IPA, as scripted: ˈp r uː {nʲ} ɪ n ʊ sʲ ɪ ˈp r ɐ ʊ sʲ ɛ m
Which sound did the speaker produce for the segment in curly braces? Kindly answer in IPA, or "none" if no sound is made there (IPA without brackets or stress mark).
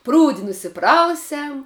dʲ